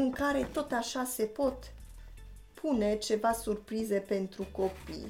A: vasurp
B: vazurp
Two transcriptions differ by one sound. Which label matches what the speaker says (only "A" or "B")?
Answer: A